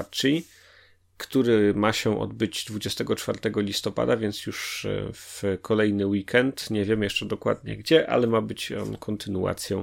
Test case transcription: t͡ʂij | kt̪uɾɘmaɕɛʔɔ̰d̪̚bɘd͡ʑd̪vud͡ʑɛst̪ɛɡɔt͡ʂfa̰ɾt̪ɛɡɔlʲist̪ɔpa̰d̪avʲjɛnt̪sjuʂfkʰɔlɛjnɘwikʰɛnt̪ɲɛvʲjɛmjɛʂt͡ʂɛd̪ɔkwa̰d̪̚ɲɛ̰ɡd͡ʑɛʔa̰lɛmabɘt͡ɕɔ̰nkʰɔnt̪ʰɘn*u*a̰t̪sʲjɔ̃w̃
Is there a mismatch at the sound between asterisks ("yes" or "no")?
no